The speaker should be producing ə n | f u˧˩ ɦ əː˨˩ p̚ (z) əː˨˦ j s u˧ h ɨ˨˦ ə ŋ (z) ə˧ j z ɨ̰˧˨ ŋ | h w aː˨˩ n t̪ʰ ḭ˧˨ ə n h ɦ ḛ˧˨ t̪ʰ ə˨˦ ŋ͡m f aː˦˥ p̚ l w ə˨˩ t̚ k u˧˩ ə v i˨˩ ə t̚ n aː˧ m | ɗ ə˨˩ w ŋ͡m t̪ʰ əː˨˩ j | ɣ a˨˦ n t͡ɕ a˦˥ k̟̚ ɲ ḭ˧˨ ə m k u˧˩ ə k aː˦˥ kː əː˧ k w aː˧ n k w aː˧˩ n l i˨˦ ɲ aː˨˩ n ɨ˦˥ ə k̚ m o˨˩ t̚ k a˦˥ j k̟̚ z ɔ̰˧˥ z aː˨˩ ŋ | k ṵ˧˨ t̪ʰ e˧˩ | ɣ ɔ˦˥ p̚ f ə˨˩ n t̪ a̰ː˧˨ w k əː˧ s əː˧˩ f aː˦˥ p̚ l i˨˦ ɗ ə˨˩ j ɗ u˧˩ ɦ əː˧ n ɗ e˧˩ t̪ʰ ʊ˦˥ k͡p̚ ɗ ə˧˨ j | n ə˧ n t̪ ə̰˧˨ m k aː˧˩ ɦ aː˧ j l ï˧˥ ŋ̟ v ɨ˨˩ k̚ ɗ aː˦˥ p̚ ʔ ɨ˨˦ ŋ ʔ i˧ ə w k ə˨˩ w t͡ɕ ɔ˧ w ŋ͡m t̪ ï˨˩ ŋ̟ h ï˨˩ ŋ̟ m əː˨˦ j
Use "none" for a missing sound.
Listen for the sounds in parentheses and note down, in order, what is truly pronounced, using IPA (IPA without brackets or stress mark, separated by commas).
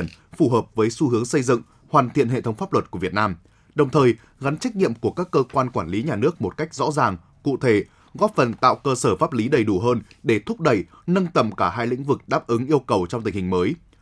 v, s